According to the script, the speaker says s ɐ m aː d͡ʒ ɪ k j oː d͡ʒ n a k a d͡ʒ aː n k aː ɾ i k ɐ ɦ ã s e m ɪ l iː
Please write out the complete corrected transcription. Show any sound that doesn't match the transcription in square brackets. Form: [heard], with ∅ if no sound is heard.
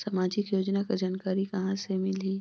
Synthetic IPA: s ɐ m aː d͡ʒ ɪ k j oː d͡ʒ n a k a d͡ʒ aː n k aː ɾ i k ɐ ɦ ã s e m ɪ l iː